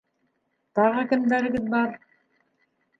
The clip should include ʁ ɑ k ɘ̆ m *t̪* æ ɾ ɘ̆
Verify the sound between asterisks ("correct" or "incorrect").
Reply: incorrect